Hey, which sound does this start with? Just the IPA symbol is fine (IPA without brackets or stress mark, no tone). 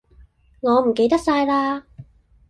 ŋ